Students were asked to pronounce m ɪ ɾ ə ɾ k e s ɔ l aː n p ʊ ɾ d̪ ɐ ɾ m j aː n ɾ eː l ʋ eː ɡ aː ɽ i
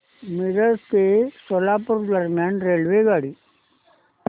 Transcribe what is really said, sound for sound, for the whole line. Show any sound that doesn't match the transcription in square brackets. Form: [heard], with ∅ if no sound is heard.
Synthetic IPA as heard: m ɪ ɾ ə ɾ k e s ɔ l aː [∅] p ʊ ɾ d̪ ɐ ɾ m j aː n ɾ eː l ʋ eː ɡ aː ɽ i